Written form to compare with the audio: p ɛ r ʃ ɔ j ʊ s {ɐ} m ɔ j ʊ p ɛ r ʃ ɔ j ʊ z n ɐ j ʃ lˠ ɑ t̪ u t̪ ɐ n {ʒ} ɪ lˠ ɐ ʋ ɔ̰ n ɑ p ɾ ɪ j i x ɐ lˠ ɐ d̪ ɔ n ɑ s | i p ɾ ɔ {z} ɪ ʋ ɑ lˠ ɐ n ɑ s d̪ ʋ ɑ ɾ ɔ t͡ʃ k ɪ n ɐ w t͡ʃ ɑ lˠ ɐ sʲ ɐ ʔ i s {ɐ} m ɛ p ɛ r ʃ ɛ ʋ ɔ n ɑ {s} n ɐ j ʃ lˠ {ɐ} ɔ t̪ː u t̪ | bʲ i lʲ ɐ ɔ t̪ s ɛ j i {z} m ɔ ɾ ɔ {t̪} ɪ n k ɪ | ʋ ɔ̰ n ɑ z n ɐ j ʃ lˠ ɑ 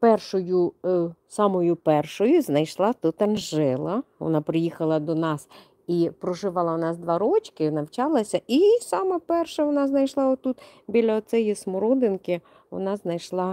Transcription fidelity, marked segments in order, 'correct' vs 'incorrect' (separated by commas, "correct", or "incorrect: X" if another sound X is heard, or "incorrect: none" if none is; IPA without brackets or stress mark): incorrect: ɑ, correct, incorrect: ʒ, incorrect: ɑ, incorrect: z, incorrect: ɑ, incorrect: s, incorrect: d̪